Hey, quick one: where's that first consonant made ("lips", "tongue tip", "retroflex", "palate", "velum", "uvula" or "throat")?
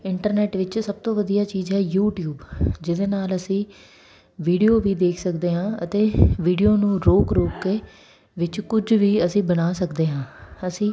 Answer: retroflex